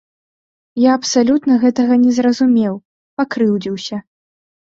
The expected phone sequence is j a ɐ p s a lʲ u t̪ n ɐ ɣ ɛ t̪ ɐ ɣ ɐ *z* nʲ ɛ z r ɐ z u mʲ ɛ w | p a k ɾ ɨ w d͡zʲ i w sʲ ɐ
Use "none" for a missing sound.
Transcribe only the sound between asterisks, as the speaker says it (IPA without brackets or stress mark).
none